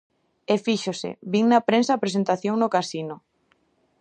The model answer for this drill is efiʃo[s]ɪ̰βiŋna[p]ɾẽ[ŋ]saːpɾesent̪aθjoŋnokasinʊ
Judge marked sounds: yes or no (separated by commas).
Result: yes, yes, no